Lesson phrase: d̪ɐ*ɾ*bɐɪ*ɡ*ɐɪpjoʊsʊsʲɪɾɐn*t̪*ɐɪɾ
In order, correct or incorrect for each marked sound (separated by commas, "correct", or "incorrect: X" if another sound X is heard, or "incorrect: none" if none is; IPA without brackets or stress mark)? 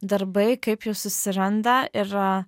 correct, incorrect: k, incorrect: d̪